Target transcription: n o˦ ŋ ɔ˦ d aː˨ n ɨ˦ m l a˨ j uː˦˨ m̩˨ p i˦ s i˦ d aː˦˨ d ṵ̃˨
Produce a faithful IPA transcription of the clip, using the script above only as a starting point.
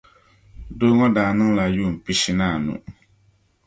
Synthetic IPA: d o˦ ŋ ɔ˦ d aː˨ n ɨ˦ ŋ l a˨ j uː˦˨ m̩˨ p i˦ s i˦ n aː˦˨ n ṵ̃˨